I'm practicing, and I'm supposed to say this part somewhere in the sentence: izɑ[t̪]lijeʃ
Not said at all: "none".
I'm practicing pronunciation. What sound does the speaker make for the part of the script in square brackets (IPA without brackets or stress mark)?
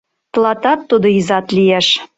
t̪